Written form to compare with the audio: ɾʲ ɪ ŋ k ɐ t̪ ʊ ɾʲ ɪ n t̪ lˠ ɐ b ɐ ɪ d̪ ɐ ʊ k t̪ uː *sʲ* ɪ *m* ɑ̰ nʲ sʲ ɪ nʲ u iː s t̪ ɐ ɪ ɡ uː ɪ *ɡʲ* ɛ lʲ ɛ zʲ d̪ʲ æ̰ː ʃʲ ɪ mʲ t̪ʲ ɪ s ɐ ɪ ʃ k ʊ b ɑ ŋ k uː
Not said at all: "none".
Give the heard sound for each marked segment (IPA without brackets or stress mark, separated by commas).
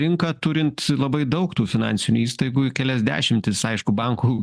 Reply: fʲ, n, kʲ